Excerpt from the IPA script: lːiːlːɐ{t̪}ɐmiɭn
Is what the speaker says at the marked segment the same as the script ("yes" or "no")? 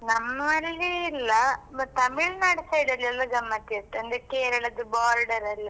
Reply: yes